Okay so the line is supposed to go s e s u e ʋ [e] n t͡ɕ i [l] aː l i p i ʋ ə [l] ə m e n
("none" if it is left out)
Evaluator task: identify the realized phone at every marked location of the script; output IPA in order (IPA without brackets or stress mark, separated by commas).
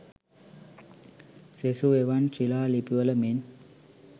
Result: a, l, l